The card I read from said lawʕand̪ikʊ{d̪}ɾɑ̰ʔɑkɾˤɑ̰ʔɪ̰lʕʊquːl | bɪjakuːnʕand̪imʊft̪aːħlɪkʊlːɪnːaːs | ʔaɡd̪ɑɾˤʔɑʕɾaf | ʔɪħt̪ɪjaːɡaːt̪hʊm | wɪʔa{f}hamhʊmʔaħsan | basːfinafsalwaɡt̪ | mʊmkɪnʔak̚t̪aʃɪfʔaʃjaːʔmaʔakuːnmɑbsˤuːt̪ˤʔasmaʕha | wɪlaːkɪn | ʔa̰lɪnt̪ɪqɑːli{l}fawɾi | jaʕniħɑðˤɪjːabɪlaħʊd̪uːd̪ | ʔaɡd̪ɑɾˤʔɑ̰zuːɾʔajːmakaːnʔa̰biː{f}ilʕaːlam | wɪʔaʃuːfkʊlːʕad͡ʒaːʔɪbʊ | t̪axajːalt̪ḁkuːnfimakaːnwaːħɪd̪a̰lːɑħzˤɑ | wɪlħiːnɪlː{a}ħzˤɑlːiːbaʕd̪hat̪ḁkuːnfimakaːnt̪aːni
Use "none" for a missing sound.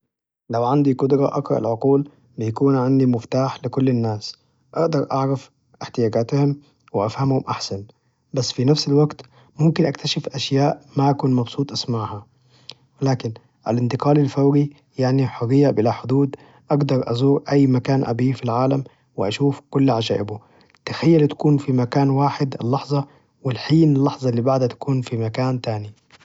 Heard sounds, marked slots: d̪, f, l, f, ɑ

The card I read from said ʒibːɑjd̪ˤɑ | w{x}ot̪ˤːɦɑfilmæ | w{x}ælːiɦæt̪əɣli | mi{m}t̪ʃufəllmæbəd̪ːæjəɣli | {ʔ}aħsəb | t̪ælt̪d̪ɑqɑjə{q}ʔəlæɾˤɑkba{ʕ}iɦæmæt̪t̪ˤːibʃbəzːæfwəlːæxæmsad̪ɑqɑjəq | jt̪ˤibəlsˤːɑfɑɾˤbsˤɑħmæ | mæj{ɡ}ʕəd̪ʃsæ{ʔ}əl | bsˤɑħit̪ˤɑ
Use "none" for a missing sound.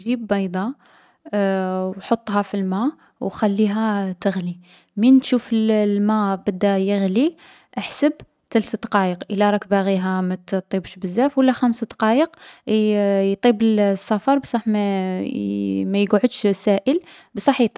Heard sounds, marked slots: ħ, x, n, ʔ, q, ɣ, ɡ, ʔ

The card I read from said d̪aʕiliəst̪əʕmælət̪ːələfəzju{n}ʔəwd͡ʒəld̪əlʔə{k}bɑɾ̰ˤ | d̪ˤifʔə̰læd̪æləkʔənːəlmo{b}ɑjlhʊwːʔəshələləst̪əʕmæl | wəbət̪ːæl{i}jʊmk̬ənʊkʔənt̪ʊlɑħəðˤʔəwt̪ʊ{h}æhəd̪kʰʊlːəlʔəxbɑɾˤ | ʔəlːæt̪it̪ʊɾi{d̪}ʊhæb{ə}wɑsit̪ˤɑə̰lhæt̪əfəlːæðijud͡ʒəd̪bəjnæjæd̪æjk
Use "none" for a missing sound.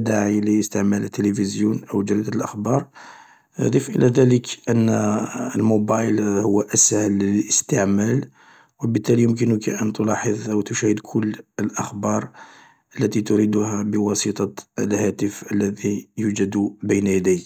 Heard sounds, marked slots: n, x, b, i, ʃ, d̪, ə

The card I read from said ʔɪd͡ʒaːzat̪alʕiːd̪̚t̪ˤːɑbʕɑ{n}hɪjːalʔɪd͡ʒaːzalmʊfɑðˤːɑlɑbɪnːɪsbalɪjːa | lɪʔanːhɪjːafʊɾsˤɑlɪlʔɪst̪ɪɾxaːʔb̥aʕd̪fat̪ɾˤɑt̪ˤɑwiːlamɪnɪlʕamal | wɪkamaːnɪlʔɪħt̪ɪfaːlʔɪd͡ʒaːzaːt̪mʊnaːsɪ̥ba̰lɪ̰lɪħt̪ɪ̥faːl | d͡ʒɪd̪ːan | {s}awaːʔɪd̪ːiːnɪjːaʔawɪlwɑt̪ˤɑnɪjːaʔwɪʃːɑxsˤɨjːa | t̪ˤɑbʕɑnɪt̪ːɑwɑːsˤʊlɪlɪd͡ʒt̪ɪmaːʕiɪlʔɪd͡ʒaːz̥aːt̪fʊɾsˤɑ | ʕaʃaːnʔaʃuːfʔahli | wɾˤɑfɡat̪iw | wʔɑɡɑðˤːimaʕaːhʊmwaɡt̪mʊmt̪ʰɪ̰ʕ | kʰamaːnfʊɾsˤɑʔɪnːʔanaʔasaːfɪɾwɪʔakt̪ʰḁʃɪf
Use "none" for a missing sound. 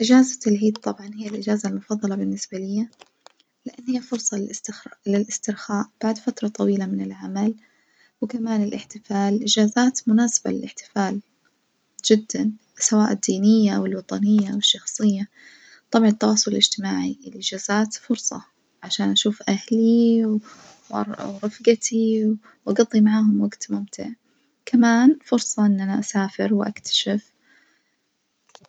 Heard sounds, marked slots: n, s

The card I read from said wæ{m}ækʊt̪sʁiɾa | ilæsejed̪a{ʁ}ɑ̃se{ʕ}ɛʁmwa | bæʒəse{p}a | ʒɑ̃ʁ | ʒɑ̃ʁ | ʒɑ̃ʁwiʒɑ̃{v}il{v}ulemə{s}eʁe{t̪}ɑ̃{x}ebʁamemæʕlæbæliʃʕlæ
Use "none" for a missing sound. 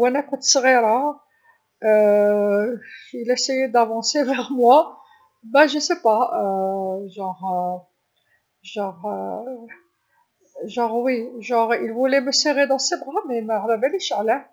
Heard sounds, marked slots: n, v, v, p, ʁ, v, s, d̪, s

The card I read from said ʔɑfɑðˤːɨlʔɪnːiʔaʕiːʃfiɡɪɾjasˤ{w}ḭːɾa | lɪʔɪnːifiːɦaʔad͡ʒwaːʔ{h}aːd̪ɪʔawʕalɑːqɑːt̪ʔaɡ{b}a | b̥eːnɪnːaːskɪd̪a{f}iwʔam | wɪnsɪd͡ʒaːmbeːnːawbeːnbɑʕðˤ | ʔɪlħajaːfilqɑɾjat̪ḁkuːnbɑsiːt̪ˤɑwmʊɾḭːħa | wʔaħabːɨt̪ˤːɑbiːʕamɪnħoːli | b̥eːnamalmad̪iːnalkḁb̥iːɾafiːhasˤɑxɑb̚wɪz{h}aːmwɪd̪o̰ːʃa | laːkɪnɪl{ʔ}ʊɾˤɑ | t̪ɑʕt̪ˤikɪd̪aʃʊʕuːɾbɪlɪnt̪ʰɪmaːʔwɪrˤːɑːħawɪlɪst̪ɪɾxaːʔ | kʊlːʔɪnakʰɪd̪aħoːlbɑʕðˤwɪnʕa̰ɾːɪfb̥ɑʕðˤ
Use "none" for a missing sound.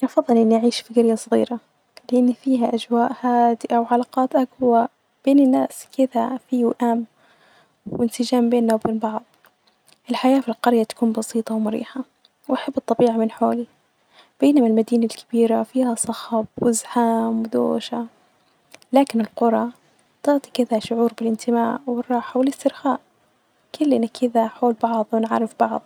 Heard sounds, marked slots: ɣ, h, w, f, ħ, q

